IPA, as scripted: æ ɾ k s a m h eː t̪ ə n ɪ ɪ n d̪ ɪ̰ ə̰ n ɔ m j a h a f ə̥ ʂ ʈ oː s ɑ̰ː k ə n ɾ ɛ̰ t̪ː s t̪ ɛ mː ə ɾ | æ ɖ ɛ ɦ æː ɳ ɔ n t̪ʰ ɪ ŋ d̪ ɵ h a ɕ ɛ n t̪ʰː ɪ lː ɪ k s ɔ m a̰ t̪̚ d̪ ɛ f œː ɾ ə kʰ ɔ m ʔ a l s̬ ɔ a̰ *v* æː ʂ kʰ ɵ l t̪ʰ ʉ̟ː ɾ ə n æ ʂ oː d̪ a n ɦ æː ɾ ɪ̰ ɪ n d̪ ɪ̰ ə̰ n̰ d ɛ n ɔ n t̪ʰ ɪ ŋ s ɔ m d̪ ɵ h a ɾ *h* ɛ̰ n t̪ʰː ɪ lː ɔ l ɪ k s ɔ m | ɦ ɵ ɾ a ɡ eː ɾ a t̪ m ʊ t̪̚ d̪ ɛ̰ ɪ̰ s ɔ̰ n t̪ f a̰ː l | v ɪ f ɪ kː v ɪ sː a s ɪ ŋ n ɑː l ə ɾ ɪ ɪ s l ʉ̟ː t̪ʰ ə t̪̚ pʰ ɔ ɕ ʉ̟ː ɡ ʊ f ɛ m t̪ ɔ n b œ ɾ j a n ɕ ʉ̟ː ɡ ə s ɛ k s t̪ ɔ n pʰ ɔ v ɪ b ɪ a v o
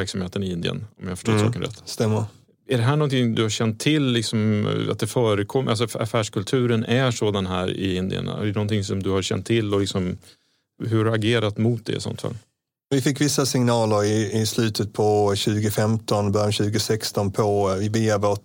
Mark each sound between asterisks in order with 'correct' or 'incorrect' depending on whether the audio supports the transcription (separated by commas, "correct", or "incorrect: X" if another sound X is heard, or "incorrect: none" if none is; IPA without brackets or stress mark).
incorrect: f, incorrect: ɕ